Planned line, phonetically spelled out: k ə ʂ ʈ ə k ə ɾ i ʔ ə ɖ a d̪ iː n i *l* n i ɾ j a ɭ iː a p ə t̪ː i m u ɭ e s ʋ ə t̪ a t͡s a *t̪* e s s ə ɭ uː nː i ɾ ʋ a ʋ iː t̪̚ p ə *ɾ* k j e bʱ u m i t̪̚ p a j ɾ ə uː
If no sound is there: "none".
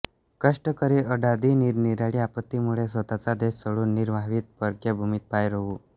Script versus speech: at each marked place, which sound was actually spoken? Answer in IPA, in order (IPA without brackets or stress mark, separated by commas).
ɾ, d̪, ɾ